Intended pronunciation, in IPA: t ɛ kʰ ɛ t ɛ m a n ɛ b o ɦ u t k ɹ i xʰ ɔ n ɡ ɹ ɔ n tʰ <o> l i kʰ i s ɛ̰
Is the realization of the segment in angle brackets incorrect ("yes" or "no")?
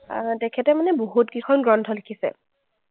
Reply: yes